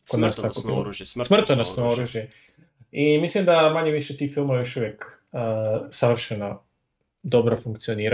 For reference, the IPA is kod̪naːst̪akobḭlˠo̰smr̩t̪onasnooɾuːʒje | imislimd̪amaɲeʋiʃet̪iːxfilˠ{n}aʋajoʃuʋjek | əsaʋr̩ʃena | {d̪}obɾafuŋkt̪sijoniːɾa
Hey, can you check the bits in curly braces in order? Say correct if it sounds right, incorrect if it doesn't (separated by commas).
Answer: incorrect, correct